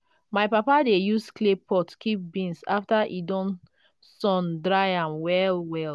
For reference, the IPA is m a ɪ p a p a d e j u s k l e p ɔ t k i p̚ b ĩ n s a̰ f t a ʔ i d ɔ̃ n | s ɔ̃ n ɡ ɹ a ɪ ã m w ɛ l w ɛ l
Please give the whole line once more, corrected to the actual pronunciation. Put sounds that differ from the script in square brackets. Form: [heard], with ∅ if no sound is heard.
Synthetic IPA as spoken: m a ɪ p a p a d e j u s k l e p ɔ t k i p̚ b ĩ n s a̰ f t a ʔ i d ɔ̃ n | s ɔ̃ n [d] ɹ a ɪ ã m w ɛ l w ɛ l